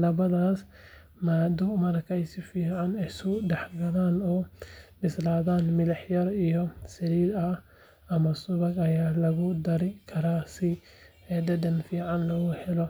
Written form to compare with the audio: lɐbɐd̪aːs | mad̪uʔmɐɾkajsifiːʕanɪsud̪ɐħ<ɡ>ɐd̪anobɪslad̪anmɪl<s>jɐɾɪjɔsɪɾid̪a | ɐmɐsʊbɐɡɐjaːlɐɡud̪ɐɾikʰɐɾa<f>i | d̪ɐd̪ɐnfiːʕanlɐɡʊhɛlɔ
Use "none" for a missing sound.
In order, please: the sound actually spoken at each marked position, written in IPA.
ɡ, ħ, s

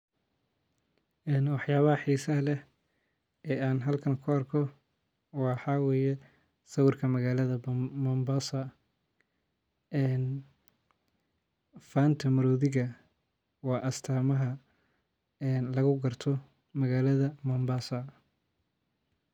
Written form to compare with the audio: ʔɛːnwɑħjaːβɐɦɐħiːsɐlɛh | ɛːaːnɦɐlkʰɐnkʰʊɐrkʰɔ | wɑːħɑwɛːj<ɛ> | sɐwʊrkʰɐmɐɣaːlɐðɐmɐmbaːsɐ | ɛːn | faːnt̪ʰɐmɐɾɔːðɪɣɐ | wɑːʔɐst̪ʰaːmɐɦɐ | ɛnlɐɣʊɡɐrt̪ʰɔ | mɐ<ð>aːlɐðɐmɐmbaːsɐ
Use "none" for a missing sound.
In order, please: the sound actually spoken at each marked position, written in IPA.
ɛ, ɣ

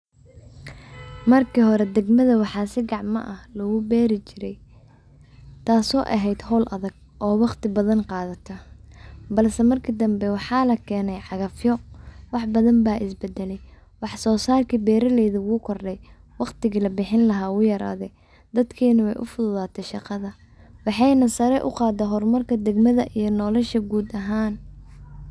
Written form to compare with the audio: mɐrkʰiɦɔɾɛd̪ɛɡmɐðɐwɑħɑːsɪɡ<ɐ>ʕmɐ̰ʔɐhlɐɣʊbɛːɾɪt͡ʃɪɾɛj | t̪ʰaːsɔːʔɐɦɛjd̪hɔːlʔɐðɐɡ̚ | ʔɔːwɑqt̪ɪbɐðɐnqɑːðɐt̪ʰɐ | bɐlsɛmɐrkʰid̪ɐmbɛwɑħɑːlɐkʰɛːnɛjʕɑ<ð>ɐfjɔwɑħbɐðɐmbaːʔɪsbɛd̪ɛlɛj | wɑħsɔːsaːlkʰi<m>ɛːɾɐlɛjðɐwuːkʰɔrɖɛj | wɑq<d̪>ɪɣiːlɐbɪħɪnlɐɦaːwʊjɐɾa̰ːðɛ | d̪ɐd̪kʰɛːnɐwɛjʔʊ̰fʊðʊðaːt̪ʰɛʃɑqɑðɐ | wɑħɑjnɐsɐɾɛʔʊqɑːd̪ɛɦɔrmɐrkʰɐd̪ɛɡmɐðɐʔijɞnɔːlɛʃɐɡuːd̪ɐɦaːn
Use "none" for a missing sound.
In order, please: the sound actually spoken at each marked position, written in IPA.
ɑ, ɣ, b, t̪

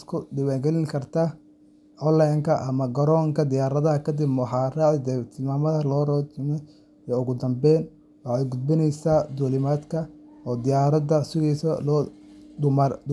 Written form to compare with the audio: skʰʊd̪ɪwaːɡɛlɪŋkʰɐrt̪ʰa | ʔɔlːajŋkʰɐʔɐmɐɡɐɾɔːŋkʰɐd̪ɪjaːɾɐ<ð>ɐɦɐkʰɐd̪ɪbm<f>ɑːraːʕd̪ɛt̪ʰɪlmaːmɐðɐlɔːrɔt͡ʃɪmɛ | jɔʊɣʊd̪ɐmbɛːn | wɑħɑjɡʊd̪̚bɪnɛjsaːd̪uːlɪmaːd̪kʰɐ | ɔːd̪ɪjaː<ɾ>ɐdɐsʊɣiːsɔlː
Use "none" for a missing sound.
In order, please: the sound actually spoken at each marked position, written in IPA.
ð, ħ, ɾ

